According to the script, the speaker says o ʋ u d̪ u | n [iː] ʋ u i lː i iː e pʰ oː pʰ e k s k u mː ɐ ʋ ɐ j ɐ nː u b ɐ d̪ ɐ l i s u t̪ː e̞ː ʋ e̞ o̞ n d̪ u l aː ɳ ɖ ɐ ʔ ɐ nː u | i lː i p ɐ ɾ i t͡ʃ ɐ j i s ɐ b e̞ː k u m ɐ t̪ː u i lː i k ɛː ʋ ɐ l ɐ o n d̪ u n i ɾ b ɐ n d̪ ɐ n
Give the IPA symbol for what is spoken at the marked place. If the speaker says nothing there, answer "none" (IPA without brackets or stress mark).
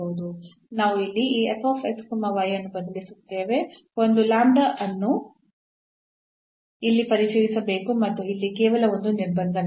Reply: aː